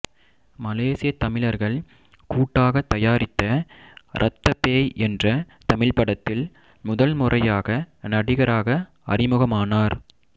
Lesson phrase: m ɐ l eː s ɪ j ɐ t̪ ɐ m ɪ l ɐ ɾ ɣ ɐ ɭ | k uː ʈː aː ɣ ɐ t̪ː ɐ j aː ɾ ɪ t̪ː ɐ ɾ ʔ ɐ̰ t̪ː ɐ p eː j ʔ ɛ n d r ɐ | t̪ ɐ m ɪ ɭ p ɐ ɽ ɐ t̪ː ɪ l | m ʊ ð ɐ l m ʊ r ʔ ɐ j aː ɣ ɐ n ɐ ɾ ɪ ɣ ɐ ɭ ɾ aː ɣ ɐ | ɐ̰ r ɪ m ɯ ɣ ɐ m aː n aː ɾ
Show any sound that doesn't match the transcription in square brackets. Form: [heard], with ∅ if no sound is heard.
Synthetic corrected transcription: m ɐ l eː s ɪ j ɐ t̪ ɐ m ɪ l ɐ ɾ ɣ ɐ ɭ | k uː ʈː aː ɣ ɐ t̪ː ɐ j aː ɾ ɪ t̪ː ɐ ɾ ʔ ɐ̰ t̪ː ɐ p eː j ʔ ɛ n d r ɐ | t̪ ɐ m ɪ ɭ p ɐ ɽ ɐ t̪ː ɪ l | m ʊ ð ɐ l m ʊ r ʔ ɐ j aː ɣ ɐ n ɐ [ɽ] ɪ ɣ ɐ [∅] ɾ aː ɣ ɐ | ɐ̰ r ɪ m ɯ ɣ ɐ m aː n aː ɾ